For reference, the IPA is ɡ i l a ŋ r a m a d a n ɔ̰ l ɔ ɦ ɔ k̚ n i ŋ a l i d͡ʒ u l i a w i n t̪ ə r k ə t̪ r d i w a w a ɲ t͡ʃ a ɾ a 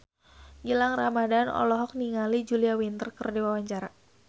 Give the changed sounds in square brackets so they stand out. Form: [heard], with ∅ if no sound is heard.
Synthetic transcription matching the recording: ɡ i l a ŋ r a m a d a n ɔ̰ l ɔ ɦ ɔ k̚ n i ŋ a l i d͡ʒ u l i a w i n t̪ ə r k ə [∅] r d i w a w a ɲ t͡ʃ a ɾ a